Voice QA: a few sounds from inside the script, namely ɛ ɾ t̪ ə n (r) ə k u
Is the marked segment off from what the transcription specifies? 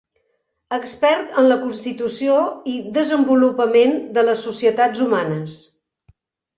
yes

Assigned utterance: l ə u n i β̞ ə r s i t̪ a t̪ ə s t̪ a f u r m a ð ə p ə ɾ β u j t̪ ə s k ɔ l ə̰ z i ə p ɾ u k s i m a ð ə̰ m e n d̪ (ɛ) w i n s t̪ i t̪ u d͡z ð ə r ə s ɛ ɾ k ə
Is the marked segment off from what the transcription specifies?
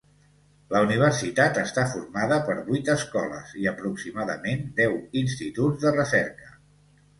no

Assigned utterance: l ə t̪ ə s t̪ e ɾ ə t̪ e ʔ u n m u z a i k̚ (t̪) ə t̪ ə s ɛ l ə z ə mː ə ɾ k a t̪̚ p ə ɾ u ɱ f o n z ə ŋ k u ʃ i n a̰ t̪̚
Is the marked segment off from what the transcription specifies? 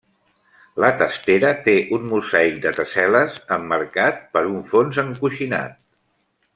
yes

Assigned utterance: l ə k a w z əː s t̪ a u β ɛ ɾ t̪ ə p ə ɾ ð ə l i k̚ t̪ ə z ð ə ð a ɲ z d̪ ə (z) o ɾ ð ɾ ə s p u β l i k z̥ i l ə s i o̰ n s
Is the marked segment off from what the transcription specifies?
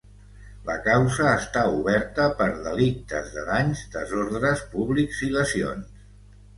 no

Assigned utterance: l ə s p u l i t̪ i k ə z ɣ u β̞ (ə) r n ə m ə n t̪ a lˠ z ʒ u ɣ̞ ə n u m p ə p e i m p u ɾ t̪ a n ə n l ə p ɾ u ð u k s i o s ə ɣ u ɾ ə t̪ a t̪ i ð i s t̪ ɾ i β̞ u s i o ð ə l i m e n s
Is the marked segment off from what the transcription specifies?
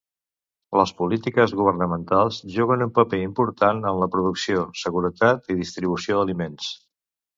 no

